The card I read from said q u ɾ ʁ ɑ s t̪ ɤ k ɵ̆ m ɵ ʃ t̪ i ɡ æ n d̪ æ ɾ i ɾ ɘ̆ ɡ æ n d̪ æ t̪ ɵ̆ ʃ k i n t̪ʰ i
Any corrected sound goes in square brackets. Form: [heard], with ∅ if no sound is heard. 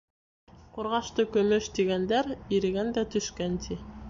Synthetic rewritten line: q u ɾ ʁ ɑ [ʃ] t̪ ɤ k ɵ̆ m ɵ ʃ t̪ i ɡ æ n d̪ æ ɾ i ɾ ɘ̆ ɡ æ n d̪ æ t̪ ɵ̆ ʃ k [æ] n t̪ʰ i